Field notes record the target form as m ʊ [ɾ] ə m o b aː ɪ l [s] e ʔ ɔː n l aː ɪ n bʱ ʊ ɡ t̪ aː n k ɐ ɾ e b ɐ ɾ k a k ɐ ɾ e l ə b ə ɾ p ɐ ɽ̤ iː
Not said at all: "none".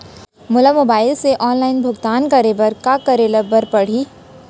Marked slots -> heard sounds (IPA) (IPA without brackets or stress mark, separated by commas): l, s